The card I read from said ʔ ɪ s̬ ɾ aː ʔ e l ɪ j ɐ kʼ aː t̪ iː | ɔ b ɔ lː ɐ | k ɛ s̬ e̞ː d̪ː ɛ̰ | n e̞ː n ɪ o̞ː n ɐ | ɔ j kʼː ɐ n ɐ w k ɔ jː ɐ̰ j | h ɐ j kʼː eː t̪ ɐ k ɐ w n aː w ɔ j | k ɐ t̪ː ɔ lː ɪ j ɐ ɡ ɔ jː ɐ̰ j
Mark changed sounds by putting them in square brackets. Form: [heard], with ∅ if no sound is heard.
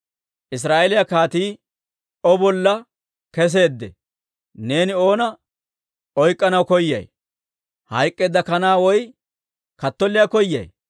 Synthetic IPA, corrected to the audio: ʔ ɪ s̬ ɾ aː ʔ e l ɪ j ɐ [k] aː t̪ iː | ɔ b ɔ lː ɐ | k ɛ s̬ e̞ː d̪ː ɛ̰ | n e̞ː n ɪ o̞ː n ɐ | ɔ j kʼː ɐ n ɐ w k ɔ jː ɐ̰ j | h ɐ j kʼː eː [d̪] ɐ k ɐ [∅] n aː w ɔ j | k ɐ t̪ː ɔ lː ɪ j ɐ [k] ɔ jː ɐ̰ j